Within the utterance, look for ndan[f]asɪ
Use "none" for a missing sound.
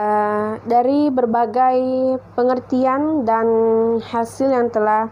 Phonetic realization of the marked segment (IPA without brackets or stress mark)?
h